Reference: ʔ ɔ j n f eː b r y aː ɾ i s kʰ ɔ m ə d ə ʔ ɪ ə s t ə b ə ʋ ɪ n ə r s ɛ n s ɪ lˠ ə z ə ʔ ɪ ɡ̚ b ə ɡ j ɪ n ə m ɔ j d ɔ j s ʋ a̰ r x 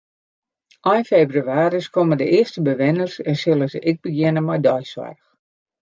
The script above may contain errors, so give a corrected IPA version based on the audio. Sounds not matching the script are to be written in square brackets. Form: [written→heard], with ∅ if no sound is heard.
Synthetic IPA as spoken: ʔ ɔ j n f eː b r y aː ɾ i s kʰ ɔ m ə d ə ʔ ɪ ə s t ə b ə ʋ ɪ n ə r s ɛ n s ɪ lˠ ə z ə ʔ ɪ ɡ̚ b ə ɡ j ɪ n ə m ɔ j d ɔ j s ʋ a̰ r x